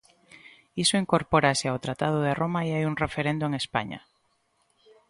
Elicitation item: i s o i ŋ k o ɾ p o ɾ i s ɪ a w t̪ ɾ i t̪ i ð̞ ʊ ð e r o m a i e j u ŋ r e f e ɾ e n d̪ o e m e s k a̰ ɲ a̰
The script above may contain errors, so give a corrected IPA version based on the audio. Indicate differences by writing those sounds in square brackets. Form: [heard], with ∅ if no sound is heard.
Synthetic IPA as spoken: i s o i ŋ k o ɾ p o ɾ [a] s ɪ a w t̪ ɾ [a] t̪ [a] ð̞ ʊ ð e r o m a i [a] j u ŋ r e f e ɾ e n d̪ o e [ŋ] e s [p] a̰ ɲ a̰